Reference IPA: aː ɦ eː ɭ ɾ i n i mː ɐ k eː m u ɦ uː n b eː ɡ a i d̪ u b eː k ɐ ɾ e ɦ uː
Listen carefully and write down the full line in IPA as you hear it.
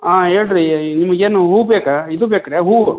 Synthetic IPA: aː ɦ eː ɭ ɾ i n i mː ɐ ɡ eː n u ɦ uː b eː k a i d̪ u b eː k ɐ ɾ e ɦ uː

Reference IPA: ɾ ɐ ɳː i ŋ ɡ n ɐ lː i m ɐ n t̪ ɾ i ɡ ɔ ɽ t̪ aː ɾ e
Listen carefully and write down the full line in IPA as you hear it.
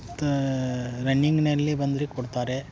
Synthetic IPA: ɾ ɐ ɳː i ŋ ɡ n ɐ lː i b ɐ n d̪ ɾ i k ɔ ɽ t̪ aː ɾ e

